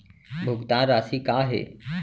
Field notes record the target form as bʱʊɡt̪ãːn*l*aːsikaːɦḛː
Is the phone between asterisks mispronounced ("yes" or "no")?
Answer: yes